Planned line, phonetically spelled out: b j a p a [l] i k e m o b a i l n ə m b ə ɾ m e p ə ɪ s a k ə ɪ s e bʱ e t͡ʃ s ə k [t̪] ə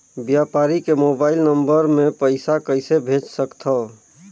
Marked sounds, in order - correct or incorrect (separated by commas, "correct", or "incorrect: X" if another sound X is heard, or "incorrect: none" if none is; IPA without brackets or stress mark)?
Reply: incorrect: ɾ, incorrect: t̪ʰ